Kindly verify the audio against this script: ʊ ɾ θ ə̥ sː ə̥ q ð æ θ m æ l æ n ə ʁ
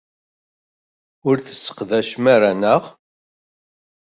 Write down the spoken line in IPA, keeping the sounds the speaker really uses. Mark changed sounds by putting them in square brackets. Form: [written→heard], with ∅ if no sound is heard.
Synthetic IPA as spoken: ʊ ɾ θ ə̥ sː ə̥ q ð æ [θ→ʃ] m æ [l→ɾ] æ n ə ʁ